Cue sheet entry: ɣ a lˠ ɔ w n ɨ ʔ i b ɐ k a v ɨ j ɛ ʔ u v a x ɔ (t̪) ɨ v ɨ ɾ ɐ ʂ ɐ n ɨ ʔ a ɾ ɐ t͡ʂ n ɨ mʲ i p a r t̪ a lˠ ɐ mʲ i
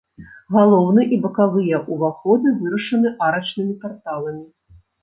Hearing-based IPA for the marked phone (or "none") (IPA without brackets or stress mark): d̪